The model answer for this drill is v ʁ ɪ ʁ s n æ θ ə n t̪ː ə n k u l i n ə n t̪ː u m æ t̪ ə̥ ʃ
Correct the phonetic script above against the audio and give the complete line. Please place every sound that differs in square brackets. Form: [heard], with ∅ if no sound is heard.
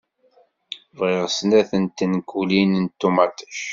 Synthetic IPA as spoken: v ʁ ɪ ʁ s n æ θ ə n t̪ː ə n k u l i n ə n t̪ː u m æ t̪ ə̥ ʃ